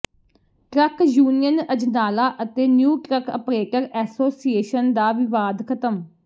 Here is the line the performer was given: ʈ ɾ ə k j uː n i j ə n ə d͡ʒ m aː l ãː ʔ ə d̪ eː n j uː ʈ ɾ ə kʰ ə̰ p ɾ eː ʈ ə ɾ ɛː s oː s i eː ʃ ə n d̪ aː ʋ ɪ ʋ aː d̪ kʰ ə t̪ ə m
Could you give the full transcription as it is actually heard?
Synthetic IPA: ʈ ɾ ə k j uː n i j ə n ə d͡ʒ n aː l aː ʔ ə t̪ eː n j uː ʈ ɾ ə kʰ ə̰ p ɾ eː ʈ ə ɾ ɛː s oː s i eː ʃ ə n d̪ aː ʋ ɪ ʋ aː d̪ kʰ ə t̪ ə m

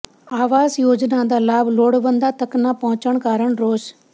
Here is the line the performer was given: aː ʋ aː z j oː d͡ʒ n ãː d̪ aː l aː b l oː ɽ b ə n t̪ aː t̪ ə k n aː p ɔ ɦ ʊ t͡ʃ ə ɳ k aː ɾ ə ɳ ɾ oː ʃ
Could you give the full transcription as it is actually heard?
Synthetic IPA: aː ʋ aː z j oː d͡ʒ n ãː d̪ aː l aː b l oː ɽ b ə n d̪ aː t̪ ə k n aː p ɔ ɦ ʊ t͡ʃ ə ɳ k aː ɾ ə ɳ ɾ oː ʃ

